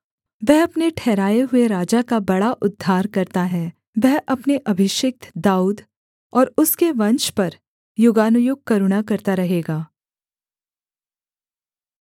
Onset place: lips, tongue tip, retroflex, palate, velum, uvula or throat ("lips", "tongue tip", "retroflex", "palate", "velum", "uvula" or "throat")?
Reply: lips